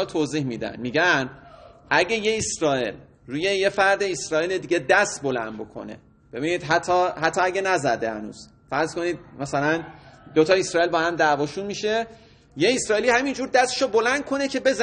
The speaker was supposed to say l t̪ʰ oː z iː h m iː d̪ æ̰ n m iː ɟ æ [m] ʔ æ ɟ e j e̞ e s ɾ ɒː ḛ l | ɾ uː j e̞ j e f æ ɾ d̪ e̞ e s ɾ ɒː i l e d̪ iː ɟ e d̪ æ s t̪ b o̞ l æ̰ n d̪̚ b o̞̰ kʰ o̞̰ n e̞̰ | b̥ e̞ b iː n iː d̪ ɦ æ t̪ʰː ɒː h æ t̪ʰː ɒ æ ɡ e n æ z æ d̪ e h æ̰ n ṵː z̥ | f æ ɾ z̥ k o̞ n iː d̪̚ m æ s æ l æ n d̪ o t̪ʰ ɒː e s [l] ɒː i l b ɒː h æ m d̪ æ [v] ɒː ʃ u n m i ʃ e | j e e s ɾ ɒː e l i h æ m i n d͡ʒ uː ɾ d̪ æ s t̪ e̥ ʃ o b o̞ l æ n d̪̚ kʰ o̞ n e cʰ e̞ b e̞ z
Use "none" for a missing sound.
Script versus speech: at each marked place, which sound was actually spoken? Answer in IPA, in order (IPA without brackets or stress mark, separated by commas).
n, ɾ, v